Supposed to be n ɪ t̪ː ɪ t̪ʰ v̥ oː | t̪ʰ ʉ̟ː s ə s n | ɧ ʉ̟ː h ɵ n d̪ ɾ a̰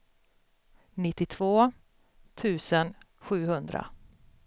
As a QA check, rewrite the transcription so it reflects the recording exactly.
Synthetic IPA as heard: n ɪ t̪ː ɪ t̪ʰ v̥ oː | t̪ʰ ʉ̟ː s ə n | ɧ ʉ̟ː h ɵ n d̪ ɾ a̰